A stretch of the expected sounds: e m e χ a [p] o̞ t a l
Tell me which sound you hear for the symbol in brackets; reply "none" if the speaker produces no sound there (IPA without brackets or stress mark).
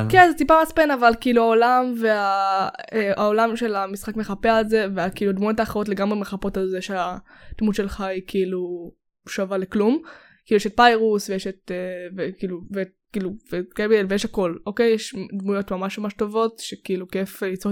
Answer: p